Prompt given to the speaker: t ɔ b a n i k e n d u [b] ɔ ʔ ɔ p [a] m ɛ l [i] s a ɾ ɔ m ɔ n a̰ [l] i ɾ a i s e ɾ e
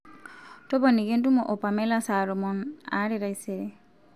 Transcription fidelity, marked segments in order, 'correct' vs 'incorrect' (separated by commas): incorrect, correct, incorrect, incorrect